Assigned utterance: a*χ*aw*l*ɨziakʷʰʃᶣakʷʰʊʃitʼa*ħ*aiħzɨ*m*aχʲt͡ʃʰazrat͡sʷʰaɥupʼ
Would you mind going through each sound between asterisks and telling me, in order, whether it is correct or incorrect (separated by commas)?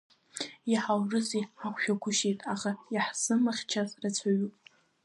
incorrect, incorrect, incorrect, correct